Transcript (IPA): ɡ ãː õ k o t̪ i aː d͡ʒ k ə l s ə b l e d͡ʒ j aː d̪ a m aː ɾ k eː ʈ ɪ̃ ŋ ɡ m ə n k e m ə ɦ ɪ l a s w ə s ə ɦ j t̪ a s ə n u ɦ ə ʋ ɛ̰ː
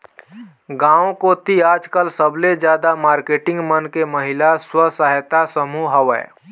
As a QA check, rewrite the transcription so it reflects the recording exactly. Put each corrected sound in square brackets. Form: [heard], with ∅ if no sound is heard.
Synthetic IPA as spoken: ɡ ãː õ k o t̪ i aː d͡ʒ k ə l s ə b l e d͡ʒ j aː d̪ a m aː ɾ k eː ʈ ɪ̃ ŋ ɡ m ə n k e m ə ɦ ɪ l a s w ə s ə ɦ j t̪ a s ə [m] u ɦ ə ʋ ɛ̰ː

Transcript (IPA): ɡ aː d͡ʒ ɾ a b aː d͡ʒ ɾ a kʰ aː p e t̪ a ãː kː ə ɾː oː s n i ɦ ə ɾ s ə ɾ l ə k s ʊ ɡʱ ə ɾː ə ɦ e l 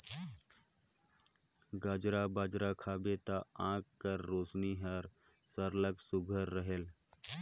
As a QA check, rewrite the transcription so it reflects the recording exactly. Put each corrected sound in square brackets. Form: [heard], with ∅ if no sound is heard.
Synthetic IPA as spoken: ɡ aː d͡ʒ ɾ a b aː d͡ʒ ɾ a kʰ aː [b] e t̪ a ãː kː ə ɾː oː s n i ɦ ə ɾ s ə ɾ l ə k s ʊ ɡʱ ə ɾː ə ɦ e l

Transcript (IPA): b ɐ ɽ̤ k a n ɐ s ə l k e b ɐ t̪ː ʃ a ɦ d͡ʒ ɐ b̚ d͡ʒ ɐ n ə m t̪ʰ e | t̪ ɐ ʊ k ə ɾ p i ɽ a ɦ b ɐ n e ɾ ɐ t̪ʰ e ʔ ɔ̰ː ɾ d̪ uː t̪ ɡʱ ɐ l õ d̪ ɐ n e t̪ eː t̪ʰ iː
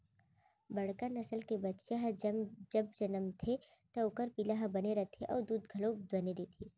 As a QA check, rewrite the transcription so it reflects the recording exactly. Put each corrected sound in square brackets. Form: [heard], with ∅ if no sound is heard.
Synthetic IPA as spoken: b ɐ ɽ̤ k a n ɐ s ə l k e b ɐ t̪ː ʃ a ɦ d͡ʒ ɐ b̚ d͡ʒ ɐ n ə m t̪ʰ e | t̪ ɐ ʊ k ə ɾ p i [l] a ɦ b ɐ n e ɾ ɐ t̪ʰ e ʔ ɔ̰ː ɾ d̪ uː [d̪] ɡʱ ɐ l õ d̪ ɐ n e [d̪] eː t̪ʰ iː

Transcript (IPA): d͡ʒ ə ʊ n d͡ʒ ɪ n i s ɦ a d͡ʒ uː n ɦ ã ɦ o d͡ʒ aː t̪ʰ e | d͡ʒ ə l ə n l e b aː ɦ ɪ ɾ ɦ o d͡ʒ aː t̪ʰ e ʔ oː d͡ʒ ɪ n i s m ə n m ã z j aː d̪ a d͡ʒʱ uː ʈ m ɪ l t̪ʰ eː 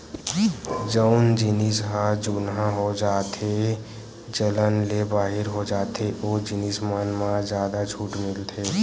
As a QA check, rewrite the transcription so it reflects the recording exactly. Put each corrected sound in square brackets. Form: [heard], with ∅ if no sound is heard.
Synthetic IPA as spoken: d͡ʒ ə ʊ n d͡ʒ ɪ n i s ɦ a d͡ʒ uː n ɦ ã ɦ o d͡ʒ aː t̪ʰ e | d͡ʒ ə l ə n l e b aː ɦ ɪ ɾ ɦ o d͡ʒ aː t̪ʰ e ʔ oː d͡ʒ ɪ n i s m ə n m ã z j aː d̪ a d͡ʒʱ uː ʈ m ɪ l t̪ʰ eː

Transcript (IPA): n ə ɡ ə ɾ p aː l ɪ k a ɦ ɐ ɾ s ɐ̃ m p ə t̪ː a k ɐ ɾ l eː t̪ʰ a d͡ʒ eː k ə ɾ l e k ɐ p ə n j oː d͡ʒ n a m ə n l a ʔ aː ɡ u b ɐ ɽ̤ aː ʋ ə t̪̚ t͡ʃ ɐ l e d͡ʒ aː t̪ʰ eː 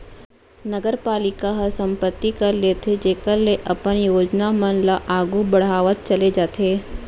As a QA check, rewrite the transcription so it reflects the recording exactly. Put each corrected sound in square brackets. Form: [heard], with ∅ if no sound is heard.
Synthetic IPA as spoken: n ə ɡ ə ɾ p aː l ɪ k a ɦ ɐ ɾ s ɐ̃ m p ə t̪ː [i] k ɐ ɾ l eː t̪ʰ [e] d͡ʒ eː k ə ɾ l e [ʔ] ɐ p ə n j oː d͡ʒ n a m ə n l a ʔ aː ɡ u b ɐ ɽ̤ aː ʋ ə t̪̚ t͡ʃ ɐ l e d͡ʒ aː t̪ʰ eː

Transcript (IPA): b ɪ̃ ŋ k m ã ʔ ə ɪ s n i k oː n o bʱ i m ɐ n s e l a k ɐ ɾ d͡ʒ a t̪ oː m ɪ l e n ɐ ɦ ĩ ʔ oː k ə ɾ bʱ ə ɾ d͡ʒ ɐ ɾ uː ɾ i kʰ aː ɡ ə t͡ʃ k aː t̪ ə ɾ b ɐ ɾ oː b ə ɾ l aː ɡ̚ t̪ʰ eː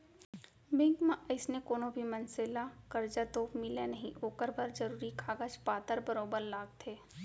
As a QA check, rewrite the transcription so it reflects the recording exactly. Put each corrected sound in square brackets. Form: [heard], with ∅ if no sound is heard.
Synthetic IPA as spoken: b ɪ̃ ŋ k m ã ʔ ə ɪ s n [e] k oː n o bʱ i m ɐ n s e l a k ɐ ɾ d͡ʒ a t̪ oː m ɪ l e n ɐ ɦ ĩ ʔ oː k ə ɾ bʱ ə ɾ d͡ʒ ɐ ɾ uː ɾ i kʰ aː ɡ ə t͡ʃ [p] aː t̪ ə ɾ b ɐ ɾ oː b ə ɾ l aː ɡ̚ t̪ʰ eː

